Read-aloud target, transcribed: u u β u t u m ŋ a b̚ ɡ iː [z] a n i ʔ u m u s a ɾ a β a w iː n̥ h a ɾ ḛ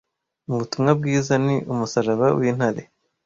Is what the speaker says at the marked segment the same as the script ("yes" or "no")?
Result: yes